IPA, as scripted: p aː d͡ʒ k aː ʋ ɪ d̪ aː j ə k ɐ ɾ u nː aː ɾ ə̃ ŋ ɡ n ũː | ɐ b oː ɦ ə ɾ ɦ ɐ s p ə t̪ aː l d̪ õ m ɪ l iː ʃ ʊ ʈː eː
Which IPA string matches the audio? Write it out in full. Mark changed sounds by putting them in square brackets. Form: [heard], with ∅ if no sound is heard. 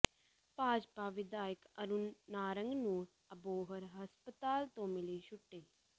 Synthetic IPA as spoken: p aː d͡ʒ [p] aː ʋ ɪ d̪ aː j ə k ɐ ɾ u nː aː ɾ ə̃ ŋ ɡ n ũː | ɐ b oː ɦ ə ɾ ɦ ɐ s p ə t̪ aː l [t̪] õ m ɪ l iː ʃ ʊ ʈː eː